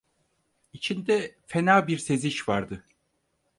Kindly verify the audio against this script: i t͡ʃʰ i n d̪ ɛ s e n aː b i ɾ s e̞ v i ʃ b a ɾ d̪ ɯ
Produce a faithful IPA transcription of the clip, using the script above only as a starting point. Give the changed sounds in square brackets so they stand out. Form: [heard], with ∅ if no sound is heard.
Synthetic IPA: i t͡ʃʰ i n d̪ ɛ [f] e n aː b i ɾ s e̞ [z] i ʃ [v] a ɾ d̪ ɯ